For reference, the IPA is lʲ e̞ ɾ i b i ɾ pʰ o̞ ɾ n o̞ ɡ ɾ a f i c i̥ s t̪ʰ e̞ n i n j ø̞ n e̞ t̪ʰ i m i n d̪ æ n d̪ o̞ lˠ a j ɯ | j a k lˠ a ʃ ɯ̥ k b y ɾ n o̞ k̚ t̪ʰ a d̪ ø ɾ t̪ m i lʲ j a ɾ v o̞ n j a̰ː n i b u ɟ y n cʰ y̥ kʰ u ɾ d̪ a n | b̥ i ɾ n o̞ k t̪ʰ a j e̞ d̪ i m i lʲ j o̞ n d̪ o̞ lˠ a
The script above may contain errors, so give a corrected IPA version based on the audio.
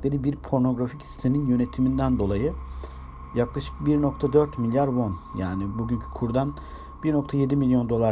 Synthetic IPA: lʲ e̞ ɾ i b i ɾ pʰ o̞ ɾ n o̞ ɡ ɾ a f i c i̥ s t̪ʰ e̞ n i n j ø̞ n e̞ t̪ʰ i m i n d̪ æ n d̪ o̞ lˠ a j ɯ | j a k lˠ a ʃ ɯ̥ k b i ɾ n o̞ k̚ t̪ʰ a d̪ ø ɾ t̪ m i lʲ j a ɾ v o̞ n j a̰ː n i b u ɟ y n cʰ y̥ kʰ u ɾ d̪ a n | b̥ i ɾ n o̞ k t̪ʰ a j e̞ d̪ i m i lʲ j o̞ n d̪ o̞ lˠ a